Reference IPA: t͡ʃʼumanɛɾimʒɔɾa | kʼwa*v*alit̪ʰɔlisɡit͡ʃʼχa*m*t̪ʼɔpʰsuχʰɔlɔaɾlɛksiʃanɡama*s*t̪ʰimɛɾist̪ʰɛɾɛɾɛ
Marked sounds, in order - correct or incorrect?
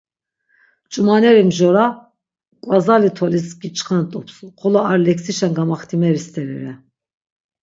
incorrect: z, incorrect: n, incorrect: χ

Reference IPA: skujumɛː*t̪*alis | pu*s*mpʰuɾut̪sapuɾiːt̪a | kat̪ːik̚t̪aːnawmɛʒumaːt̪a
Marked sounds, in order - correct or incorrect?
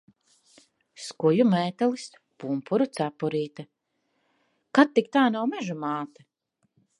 correct, incorrect: none

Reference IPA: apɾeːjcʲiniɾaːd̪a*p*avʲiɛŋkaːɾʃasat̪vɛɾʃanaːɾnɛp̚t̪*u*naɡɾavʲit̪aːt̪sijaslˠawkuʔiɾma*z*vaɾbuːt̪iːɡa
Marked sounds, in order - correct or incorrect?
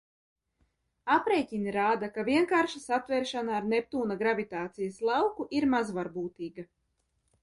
incorrect: k, incorrect: uː, correct

